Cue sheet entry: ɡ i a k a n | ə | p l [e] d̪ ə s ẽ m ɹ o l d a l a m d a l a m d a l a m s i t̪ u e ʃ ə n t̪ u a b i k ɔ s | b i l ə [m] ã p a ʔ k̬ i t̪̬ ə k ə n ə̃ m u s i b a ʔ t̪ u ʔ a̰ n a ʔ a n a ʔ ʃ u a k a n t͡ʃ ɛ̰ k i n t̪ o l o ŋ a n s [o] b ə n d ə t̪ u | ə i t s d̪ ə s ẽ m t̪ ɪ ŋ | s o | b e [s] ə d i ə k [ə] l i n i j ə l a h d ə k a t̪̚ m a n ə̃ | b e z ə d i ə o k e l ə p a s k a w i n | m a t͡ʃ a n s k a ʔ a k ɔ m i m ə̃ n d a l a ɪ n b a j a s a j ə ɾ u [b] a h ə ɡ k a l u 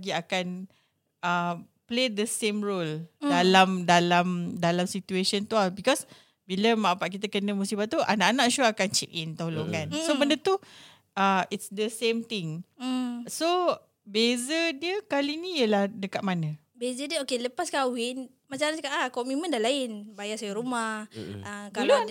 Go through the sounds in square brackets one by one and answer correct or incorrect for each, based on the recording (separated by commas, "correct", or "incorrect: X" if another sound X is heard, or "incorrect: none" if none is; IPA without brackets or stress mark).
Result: correct, correct, correct, incorrect: z, incorrect: a, incorrect: m